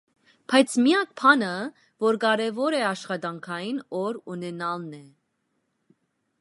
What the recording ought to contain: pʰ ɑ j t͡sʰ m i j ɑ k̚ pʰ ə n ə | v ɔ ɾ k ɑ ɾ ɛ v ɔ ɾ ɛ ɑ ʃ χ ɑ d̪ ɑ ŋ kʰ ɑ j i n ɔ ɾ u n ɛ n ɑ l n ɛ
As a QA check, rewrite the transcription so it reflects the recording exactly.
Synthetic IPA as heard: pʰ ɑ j t͡sʰ m i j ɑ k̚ pʰ ɑ n ə | v ɔ ɾ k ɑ ɾ ɛ v ɔ ɾ ɛ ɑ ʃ χ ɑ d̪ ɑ ŋ kʰ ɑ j i n ɔ ɾ u n ɛ n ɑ l n ɛ